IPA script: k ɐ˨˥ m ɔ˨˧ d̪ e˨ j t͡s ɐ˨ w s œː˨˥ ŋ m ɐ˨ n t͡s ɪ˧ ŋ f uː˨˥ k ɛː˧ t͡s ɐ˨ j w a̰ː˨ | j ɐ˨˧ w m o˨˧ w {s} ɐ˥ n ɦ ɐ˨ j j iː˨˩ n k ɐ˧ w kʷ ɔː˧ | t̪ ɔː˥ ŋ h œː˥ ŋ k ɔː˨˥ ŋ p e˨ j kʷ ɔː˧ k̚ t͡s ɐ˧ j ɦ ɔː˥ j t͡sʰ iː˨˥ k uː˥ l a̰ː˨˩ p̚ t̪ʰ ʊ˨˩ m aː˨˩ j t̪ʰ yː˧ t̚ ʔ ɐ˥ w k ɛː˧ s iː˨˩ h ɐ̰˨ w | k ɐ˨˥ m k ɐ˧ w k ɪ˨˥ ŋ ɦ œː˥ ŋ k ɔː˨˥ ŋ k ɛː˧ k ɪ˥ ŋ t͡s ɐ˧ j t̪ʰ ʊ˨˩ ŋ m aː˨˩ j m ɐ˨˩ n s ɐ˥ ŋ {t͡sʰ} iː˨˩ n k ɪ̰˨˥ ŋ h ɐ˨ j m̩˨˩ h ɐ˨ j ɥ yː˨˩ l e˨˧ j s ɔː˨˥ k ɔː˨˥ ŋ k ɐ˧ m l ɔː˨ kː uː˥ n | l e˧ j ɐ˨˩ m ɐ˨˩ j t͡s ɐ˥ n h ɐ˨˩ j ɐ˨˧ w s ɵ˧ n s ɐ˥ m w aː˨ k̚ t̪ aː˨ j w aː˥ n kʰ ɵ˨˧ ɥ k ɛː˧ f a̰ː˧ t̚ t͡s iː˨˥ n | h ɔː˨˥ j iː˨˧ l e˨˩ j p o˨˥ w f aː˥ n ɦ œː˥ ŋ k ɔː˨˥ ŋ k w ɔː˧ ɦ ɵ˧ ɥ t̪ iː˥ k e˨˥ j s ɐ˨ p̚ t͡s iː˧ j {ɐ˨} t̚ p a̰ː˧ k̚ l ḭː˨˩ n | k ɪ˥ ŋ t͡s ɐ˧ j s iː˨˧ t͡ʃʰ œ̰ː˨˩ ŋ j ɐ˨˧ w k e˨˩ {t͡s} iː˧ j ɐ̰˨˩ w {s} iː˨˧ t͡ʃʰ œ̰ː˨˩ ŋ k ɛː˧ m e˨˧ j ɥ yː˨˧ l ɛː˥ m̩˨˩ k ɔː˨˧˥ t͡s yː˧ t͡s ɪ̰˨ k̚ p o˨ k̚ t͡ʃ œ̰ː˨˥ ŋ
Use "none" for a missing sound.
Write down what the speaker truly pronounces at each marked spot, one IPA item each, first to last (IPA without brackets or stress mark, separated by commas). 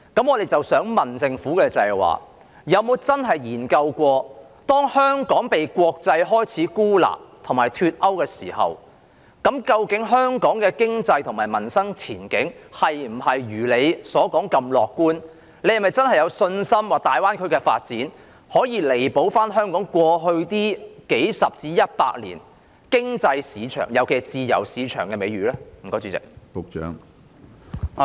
t͡s, t͡sʰ, ɐ˥, t͡s, s